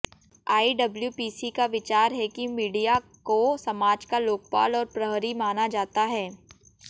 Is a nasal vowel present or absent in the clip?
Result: absent